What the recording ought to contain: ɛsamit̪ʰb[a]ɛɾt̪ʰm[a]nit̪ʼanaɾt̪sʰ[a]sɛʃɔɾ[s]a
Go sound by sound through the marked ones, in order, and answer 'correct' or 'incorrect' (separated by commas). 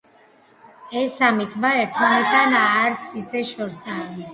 correct, correct, incorrect, correct